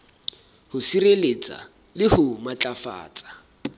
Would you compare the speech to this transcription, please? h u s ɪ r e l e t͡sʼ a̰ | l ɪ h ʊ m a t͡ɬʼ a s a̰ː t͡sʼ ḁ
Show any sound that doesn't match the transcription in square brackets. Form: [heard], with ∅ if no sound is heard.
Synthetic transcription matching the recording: h [ʊ] s [i] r e l e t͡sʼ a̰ | l ɪ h ʊ m a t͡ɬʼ a [f] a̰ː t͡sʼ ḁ